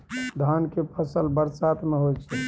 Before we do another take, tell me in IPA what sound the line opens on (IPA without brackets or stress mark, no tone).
d̪ʱ